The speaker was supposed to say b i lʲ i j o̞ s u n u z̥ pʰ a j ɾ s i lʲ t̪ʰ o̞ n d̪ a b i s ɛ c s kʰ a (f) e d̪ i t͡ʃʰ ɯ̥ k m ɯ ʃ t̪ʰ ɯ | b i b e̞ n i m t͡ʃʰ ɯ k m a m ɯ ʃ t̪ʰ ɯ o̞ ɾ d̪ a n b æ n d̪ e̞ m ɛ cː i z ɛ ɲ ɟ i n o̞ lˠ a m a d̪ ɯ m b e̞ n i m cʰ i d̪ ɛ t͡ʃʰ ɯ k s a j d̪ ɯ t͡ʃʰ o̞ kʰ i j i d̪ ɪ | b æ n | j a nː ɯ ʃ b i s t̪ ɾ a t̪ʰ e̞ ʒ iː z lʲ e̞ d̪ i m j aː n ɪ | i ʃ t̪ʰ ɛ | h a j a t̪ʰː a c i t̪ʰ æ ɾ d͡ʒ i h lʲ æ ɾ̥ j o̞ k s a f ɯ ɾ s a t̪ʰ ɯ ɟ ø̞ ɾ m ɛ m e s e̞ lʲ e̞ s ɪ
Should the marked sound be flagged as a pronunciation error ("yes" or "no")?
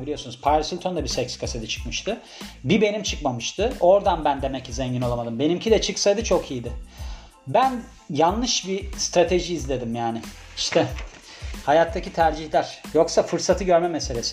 yes